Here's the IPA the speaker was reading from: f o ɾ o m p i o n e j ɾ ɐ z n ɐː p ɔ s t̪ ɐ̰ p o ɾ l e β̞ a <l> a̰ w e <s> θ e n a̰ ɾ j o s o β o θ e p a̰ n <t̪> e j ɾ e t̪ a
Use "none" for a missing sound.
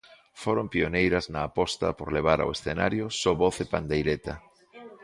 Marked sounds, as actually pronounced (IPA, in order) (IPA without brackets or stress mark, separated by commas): ɾ, s, d̪